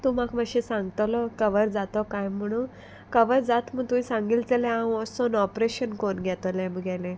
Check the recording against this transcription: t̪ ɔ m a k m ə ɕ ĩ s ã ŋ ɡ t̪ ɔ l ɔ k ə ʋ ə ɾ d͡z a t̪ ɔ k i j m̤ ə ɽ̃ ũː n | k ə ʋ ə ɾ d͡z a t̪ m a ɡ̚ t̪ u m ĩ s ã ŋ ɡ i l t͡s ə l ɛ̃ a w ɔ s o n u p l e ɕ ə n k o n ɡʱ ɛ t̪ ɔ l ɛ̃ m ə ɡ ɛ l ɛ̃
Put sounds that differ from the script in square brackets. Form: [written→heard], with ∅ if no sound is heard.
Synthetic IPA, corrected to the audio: t̪ [ɔ→u] m a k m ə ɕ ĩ s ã ŋ ɡ t̪ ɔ l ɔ k ə ʋ ə ɾ d͡z a t̪ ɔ k [i→a] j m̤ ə ɽ̃ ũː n | k ə ʋ ə ɾ d͡z a t̪ m [a→ə] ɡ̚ t̪ u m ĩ s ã ŋ ɡ i l t͡s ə l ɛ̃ a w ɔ s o n [u→ɔ] p [l→ɾ] e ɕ ə n k o n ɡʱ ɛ t̪ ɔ l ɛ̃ m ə ɡ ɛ l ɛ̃